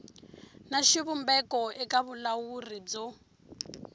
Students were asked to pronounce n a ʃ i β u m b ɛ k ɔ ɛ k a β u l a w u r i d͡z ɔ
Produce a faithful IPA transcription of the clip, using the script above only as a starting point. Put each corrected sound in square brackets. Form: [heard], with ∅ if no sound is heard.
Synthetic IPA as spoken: n a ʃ i β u m b ɛ k ɔ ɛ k a β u l a w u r i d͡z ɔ